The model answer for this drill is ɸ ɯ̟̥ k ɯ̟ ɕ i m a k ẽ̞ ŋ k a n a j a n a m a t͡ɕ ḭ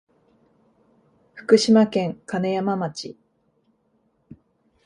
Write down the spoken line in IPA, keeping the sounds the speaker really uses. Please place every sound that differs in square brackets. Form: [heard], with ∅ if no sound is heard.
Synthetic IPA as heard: ɸ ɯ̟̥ k ɯ̟ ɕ i m a k ẽ̞ ŋ k a n [e] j a [m] a m a t͡ɕ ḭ